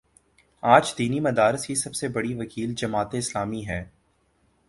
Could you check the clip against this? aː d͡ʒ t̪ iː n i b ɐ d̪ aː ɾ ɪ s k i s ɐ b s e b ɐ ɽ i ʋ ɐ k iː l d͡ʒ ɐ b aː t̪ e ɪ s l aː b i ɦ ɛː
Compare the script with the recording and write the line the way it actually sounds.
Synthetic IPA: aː d͡ʒ d̪ iː n i m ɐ d̪ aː ɾ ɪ s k i s ɐ b s e b ɐ ɽ i ʋ ɐ k iː l d͡ʒ ɐ m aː t̪ e ɪ s l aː m i ɦ ɛː